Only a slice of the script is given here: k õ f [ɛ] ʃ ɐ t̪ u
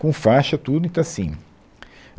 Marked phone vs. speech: incorrect: a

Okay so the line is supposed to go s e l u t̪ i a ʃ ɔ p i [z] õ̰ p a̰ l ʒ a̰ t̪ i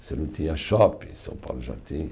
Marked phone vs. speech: incorrect: s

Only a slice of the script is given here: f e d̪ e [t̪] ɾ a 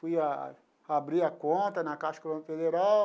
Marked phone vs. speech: incorrect: none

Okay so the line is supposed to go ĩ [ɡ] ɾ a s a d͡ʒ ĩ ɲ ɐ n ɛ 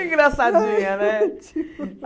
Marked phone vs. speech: correct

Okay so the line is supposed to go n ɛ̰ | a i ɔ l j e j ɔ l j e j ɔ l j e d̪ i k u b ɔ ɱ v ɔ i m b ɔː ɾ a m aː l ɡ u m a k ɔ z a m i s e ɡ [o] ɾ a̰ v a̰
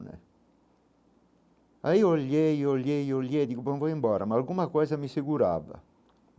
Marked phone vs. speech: incorrect: u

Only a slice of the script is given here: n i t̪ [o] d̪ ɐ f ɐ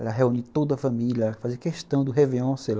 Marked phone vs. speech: correct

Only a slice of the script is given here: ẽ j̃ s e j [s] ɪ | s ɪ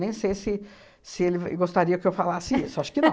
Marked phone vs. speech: correct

